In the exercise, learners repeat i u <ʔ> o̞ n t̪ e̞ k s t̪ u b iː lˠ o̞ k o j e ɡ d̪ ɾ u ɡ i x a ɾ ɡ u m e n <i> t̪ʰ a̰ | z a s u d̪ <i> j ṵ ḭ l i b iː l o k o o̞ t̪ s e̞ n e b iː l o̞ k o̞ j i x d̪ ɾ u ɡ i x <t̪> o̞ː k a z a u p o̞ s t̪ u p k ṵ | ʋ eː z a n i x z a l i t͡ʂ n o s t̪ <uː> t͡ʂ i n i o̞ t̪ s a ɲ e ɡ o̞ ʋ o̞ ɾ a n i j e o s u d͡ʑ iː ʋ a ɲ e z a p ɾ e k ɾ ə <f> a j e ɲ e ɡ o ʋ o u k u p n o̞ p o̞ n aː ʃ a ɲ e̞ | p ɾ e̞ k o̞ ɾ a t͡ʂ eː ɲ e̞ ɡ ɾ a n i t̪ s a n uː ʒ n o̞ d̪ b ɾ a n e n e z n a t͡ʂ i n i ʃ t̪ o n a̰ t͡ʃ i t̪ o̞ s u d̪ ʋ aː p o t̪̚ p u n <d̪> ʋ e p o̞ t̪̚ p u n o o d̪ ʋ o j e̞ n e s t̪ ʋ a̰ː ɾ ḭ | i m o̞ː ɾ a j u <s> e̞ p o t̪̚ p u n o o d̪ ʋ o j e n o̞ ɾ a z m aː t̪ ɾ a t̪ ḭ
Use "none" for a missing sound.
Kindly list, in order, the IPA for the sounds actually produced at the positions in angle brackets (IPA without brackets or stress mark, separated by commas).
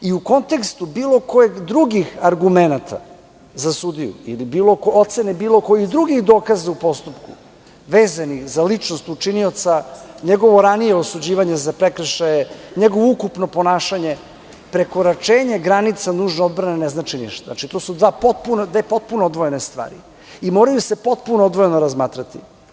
k, a, i, d̪, u, ʃ, d̪, s